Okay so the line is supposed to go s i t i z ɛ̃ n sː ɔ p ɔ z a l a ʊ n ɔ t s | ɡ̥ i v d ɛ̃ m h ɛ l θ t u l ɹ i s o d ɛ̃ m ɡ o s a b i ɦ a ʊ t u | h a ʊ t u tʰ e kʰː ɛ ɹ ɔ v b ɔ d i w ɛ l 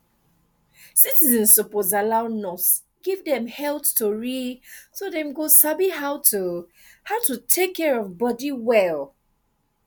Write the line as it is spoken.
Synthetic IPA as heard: s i t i z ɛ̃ n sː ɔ p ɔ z a l a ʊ n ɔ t s | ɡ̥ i v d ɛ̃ m h ɛ l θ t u ɹ i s o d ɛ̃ m ɡ o s a b i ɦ a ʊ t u | h a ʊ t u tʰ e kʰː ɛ ɹ ɔ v b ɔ d i w ɛ l